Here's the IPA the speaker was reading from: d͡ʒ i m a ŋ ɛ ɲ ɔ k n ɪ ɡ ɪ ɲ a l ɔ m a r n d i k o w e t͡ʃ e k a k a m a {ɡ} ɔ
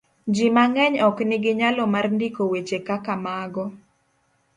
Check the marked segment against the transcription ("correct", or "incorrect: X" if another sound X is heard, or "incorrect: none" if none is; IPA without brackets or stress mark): correct